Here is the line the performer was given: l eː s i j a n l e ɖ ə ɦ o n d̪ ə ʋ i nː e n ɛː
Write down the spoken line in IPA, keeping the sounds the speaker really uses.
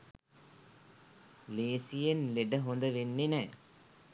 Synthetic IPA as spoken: l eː s i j e n l e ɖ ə ɦ o n d̪ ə ʋ e nː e n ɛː